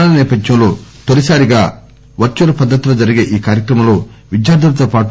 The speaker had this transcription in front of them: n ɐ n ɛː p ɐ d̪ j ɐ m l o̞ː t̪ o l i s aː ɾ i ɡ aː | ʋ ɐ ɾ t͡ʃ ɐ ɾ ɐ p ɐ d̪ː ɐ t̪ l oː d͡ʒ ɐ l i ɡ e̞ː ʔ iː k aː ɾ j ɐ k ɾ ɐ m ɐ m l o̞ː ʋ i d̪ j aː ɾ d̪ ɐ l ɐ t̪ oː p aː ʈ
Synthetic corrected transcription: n ɐ n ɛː p ɐ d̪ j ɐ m l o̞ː t̪ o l i s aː ɾ i ɡ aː | ʋ ɐ ɾ t͡ʃ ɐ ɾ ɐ p ɐ d̪ː ɐ t̪ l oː d͡ʒ ɐ ɾ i ɡ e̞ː ʔ iː k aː ɾ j ɐ k ɾ ɐ m ɐ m l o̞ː ʋ i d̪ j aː ɾ d̪ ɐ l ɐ t̪ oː p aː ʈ